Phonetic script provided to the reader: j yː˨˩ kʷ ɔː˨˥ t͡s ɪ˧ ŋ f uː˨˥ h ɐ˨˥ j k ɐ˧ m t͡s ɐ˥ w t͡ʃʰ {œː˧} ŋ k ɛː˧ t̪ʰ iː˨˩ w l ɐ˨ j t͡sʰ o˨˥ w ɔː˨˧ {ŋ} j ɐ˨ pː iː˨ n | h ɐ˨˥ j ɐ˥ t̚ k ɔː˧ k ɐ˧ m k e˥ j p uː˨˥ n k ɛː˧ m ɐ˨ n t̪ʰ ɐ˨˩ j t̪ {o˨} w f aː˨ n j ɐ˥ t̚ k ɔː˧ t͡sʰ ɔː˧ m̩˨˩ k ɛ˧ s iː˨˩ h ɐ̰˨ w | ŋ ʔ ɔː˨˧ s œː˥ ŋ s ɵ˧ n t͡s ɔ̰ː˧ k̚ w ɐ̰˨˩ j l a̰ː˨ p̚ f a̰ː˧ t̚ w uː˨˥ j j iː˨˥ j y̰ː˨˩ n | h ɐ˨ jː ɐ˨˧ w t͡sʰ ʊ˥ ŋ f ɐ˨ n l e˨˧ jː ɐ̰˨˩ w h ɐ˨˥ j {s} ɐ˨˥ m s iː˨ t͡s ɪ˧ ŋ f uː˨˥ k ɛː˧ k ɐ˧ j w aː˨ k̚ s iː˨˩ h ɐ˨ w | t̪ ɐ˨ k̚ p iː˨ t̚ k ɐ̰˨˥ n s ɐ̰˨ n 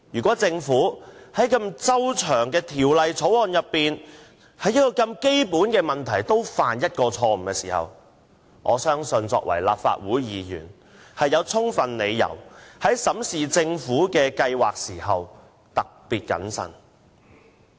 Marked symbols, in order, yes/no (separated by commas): no, no, no, yes